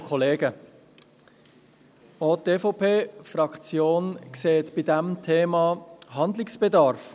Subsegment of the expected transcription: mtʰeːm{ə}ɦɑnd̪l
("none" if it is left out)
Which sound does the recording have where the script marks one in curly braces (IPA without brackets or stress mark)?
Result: ɑ